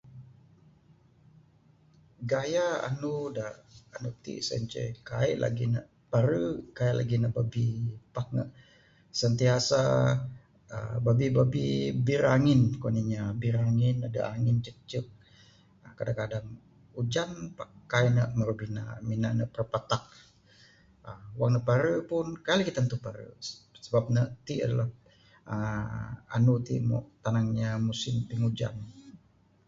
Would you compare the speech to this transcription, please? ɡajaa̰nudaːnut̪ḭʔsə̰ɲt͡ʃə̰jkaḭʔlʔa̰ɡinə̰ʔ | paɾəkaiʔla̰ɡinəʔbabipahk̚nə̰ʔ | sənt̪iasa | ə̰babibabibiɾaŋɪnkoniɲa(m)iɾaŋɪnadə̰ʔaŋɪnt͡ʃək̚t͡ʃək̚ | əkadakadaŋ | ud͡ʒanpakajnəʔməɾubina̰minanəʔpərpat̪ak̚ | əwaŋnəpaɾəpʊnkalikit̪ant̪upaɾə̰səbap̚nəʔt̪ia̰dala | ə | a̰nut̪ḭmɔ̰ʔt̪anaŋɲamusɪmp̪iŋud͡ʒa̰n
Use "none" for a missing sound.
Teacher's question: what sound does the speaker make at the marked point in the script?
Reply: b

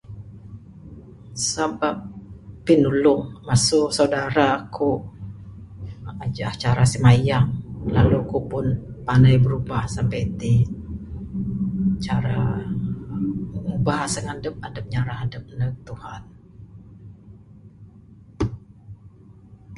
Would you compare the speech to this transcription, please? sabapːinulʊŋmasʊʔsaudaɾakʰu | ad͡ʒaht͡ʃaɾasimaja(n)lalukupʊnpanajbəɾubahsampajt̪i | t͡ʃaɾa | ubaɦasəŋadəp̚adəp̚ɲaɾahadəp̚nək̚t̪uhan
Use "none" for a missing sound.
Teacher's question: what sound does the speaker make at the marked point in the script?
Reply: ŋ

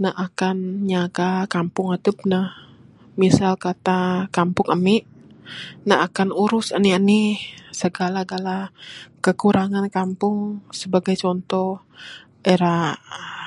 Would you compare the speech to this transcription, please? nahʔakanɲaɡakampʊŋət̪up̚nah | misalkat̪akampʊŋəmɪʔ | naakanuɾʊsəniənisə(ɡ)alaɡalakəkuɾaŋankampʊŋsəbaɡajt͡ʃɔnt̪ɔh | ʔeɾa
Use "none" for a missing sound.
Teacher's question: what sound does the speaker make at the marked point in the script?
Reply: ɡ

